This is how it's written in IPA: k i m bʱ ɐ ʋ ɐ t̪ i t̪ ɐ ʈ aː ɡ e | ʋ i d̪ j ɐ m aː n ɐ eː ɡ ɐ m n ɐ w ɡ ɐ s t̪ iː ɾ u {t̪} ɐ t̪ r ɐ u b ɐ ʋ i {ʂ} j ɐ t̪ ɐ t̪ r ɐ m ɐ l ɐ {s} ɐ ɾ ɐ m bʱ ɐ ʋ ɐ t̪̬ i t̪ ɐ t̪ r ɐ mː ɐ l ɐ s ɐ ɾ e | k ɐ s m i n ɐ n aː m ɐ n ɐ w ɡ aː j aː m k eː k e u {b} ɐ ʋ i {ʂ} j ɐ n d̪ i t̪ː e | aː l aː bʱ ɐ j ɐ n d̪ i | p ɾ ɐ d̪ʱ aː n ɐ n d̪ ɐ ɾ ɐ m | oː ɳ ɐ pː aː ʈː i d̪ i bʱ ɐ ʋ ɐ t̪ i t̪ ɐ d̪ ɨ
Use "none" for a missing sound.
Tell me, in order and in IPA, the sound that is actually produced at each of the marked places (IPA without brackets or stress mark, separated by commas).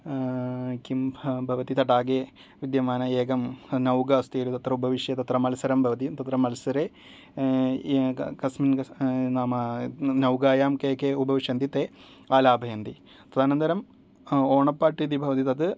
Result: t̪, ʂ, s, b, ʂ